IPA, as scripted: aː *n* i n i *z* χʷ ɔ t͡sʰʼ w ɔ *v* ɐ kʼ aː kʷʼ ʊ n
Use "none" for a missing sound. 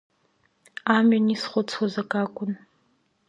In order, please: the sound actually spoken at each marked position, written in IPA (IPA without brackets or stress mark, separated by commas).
m, s, z